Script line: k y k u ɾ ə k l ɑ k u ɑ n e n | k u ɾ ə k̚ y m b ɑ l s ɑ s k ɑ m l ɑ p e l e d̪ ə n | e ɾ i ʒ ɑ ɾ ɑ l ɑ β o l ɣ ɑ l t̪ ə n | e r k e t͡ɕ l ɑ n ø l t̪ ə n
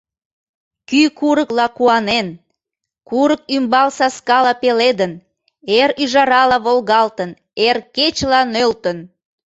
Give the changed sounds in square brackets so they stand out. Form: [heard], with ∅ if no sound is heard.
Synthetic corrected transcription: k y k u ɾ ə k l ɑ k u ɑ n e n | k u ɾ ə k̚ y m b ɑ l s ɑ s k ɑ [∅] l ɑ p e l e d̪ ə n | e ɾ [y] ʒ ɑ ɾ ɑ l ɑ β o l ɣ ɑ l t̪ ə n | e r k e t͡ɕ l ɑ n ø l t̪ ə n